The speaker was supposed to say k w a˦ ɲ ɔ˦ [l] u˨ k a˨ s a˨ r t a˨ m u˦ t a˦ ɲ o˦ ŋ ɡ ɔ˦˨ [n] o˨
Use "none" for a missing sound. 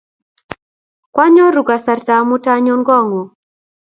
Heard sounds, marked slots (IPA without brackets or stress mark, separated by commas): ɾ, ŋ